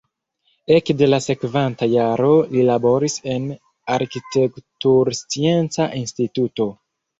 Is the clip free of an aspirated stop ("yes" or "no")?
yes